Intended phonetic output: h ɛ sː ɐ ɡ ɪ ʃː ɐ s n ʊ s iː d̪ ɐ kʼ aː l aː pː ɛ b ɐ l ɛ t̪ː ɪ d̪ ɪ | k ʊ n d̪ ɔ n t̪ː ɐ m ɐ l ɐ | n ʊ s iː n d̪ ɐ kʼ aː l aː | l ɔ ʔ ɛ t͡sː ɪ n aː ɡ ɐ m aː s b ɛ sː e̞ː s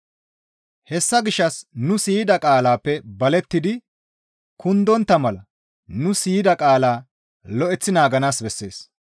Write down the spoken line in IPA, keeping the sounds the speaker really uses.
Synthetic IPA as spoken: h ɛ sː ɐ ɡ ɪ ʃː ɐ s n ʊ s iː d̪ ɐ kʼ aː l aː pː ɛ b ɐ l ɛ t̪ː ɪ d̪ ɪ | k ʊ n d̪ ɔ n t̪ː ɐ m ɐ l ɐ | n ʊ s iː d̪ ɐ kʼ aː l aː | l ɔ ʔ ɛ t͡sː ɪ n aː ɡ ɐ n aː s b ɛ sː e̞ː s